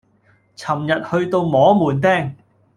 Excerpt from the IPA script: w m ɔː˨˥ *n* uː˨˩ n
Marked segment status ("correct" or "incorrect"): incorrect